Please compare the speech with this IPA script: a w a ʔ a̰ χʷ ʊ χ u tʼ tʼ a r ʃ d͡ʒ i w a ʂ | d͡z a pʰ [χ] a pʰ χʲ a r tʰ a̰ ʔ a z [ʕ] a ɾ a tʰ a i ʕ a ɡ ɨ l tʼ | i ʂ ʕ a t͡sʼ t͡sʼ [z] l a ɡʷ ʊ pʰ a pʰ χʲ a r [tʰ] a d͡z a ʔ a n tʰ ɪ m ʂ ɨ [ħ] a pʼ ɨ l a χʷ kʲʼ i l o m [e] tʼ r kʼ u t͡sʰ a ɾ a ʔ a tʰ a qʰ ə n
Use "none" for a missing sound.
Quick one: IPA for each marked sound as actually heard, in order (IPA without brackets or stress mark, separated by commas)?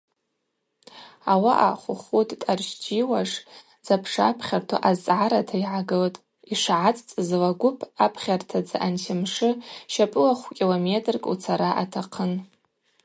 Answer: ʂ, ʕ, z, tʰ, ʃ, e